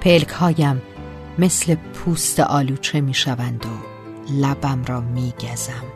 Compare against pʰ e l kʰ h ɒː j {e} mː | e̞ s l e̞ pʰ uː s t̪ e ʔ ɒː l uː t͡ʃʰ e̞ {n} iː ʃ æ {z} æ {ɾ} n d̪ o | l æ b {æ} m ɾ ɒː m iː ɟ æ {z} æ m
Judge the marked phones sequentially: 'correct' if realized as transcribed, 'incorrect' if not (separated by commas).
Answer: incorrect, incorrect, incorrect, incorrect, correct, correct